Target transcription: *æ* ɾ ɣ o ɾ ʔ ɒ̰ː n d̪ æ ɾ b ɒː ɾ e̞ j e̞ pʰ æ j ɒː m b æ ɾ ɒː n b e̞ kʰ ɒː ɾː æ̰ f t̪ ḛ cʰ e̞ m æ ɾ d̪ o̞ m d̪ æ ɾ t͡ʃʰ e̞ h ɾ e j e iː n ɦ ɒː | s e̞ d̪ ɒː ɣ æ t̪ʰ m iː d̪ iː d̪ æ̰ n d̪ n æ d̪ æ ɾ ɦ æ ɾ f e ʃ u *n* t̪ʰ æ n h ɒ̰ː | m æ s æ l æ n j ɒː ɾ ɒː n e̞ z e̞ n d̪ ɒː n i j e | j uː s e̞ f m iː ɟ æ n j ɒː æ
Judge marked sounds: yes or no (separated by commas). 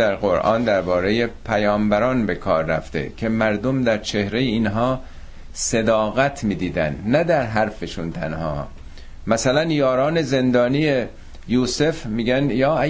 yes, yes